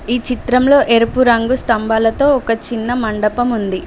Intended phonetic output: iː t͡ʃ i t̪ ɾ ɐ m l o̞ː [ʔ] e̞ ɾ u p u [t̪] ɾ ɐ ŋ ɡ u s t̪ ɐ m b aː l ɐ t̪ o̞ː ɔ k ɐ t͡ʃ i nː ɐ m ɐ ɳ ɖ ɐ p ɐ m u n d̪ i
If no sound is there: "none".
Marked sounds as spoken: ʔ, none

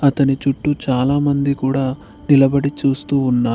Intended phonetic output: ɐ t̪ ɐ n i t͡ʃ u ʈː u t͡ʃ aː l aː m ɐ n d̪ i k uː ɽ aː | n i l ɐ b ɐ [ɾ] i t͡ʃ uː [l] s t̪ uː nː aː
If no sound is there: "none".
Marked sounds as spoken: ɽ, none

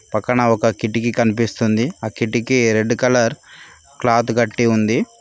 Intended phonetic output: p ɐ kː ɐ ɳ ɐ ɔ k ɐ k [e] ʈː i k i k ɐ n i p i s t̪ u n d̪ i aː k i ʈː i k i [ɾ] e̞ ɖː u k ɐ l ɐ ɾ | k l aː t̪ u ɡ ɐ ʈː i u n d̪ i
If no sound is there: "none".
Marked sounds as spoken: i, ɾ

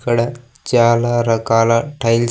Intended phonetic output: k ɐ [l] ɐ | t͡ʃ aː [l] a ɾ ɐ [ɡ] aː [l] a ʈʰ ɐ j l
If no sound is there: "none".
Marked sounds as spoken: ɽ, l, k, l

